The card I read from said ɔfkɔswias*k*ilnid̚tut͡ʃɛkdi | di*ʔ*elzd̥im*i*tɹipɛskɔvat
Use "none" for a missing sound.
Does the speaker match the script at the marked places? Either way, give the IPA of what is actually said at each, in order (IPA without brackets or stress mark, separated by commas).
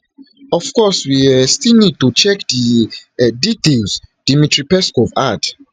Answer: t, t, i